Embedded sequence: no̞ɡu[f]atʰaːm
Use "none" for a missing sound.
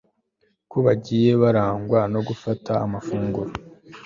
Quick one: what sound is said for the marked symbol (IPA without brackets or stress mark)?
f